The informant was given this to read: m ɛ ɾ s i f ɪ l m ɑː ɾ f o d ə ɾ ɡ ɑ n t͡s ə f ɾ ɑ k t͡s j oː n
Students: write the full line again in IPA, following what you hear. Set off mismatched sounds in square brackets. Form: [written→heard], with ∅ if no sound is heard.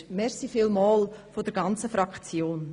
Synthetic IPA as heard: m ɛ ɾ s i f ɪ l m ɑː [ɾ→l] f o d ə ɾ ɡ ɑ n t͡s ə f ɾ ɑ k t͡s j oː n